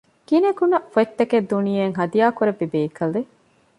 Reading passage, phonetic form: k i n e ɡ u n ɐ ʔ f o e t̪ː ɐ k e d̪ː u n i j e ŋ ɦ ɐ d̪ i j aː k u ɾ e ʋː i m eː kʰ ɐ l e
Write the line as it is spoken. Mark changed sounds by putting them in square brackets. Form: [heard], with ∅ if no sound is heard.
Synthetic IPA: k i n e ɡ u n ɐ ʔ f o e t̪ː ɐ k e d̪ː u n i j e ŋ ɦ ɐ d̪ i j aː k u ɾ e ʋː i [b] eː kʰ ɐ l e